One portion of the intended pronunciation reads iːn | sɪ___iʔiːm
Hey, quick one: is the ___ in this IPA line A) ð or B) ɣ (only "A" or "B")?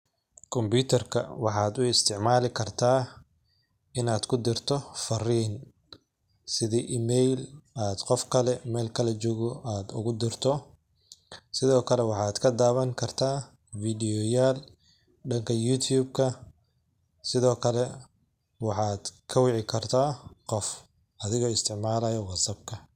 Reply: A